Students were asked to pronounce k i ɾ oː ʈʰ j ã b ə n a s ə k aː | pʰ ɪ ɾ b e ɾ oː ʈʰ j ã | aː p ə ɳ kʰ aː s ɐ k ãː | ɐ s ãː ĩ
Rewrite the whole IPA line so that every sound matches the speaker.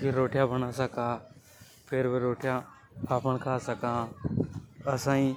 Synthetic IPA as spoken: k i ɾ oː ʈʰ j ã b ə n a s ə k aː | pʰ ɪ ɾ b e ɾ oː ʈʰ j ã | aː p ə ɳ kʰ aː s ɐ k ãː | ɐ s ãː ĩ